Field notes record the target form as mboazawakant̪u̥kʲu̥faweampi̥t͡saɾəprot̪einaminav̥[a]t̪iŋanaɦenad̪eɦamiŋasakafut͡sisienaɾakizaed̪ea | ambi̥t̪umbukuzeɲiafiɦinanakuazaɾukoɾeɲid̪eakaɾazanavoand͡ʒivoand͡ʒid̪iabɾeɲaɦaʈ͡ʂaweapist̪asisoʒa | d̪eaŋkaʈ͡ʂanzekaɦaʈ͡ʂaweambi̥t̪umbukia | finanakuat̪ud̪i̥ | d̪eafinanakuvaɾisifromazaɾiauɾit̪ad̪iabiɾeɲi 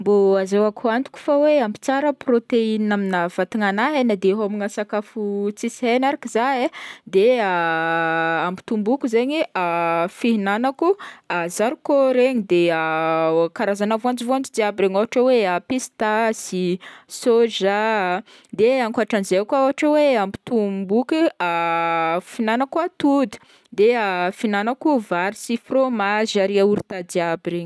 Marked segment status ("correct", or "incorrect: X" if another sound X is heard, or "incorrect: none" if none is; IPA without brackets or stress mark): correct